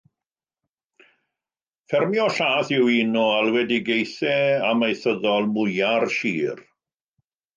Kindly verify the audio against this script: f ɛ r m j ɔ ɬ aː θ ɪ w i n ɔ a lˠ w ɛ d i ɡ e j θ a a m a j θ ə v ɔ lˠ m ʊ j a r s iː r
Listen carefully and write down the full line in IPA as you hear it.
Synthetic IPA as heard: f ɛ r m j ɔ ɬ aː θ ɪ w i n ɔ a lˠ w ɛ d i ɡ e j θ ɛ a m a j θ ə ð ɔ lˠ m ʊ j a r ʃ iː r